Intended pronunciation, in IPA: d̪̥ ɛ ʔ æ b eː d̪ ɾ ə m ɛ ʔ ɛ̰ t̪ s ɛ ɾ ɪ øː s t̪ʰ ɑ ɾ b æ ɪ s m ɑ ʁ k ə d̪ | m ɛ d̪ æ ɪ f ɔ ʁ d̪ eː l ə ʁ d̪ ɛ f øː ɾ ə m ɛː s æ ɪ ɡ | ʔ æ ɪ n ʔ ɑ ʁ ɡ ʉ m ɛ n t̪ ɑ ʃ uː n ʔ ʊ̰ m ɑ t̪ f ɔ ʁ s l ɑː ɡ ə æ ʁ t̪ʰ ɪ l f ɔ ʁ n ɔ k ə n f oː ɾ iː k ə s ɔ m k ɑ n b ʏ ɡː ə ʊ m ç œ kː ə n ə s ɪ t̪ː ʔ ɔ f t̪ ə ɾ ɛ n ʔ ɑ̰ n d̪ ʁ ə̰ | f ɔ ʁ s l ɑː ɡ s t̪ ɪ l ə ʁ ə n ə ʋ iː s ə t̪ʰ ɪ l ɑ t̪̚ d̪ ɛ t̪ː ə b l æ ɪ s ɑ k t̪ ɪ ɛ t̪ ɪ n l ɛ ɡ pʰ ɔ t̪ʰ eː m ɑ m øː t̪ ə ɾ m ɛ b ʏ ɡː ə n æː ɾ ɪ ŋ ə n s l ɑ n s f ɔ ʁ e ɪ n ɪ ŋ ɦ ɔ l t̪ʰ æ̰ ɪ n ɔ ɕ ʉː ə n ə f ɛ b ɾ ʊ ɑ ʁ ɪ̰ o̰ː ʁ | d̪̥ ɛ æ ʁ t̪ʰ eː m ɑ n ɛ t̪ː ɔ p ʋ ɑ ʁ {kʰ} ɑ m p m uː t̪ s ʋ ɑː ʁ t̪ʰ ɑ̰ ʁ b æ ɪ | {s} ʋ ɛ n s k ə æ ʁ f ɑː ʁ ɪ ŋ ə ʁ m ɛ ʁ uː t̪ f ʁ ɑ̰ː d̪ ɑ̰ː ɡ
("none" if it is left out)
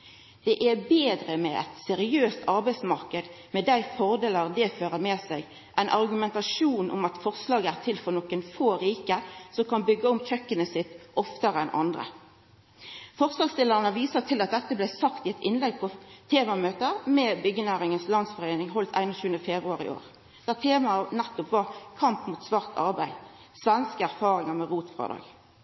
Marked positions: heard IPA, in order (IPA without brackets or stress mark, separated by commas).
kʰ, s